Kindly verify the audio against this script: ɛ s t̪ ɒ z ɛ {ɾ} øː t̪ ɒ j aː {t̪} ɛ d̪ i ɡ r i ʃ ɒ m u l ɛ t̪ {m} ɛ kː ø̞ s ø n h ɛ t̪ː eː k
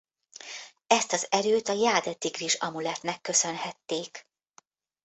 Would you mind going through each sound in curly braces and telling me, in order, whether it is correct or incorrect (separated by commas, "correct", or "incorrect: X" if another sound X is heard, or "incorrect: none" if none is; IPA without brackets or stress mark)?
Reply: correct, incorrect: d̪, incorrect: n